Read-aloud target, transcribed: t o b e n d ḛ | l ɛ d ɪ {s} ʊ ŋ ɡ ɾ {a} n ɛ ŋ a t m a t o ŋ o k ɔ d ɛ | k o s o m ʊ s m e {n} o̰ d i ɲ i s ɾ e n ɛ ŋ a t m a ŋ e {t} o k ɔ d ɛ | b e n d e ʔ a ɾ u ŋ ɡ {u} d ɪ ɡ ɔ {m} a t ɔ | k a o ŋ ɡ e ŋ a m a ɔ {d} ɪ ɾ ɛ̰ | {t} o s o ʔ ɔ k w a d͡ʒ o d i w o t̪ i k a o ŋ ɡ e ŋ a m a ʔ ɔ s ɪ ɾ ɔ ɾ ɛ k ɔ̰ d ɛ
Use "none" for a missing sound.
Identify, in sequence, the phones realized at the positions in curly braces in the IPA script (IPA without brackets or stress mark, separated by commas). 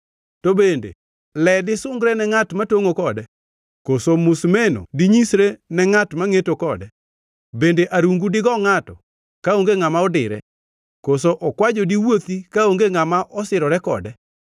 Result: s, ɛ, n, t, u, ŋ, d, k